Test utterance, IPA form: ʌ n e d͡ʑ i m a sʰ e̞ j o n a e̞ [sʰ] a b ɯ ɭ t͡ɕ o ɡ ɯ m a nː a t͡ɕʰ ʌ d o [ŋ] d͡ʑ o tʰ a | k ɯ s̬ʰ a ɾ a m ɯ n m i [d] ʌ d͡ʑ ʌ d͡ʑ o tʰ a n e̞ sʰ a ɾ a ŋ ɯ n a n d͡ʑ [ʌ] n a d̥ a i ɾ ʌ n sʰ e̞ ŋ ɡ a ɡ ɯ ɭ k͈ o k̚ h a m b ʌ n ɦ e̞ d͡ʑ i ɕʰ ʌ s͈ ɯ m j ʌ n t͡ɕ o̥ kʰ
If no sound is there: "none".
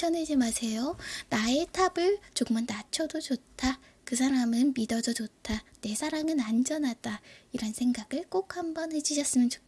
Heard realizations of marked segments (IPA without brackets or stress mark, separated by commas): tʰ, none, d, ʌ